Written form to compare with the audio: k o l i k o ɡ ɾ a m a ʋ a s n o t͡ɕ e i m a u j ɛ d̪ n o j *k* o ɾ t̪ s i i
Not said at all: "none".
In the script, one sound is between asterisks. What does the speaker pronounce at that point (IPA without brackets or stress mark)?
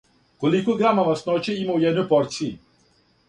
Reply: p